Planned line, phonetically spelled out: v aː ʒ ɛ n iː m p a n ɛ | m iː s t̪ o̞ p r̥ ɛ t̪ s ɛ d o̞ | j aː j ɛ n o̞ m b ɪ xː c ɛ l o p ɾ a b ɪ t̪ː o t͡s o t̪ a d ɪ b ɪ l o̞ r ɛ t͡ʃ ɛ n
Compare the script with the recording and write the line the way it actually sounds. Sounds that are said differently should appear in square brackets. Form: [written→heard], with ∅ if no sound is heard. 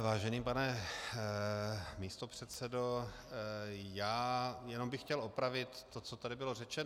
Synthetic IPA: v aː ʒ ɛ n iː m p a n ɛ | m iː s t̪ o̞ p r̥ ɛ t̪ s ɛ d o̞ | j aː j ɛ n o̞ m b ɪ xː c ɛ l o p ɾ a [b→v] ɪ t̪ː o t͡s o t̪ a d ɪ b ɪ l o̞ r ɛ t͡ʃ ɛ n

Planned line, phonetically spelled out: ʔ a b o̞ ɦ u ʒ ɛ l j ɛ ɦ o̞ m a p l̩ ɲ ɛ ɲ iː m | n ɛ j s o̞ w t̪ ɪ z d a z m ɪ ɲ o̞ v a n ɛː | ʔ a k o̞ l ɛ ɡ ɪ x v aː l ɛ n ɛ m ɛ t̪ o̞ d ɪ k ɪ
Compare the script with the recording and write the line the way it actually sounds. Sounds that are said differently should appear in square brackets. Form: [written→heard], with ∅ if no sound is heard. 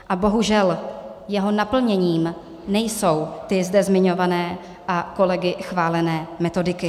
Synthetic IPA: ʔ a b o̞ ɦ u ʒ ɛ l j ɛ ɦ o̞ [m→n] a p l̩ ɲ ɛ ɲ iː m | n ɛ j s o̞ w t̪ ɪ z d [a→ɛ] z m ɪ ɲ o̞ v a n ɛː | ʔ a k o̞ l ɛ ɡ ɪ x v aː l ɛ n [ɛ→ɛː] m ɛ t̪ o̞ d ɪ k ɪ

